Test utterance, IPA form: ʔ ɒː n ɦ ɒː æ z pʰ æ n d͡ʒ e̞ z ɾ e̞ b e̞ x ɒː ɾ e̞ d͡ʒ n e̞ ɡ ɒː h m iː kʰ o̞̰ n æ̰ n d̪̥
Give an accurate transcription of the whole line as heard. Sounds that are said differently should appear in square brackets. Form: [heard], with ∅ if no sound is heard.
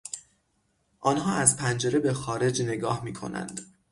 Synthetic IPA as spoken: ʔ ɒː n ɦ ɒː æ z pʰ æ n d͡ʒ e̞ [∅] ɾ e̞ b e̞ x ɒː ɾ e̞ d͡ʒ n e̞ ɡ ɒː h m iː kʰ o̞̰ n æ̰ n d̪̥